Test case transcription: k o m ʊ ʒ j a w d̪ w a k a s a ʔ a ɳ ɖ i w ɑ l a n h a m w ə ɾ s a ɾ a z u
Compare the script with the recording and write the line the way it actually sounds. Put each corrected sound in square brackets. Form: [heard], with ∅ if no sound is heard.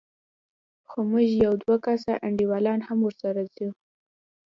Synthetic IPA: [x] o m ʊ ʒ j a w d̪ w a k a s a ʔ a ɳ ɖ i w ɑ l [ɑ] n h a m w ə ɾ s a ɾ a z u